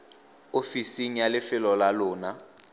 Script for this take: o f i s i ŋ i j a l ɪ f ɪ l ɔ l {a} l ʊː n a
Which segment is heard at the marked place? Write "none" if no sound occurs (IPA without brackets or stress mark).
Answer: a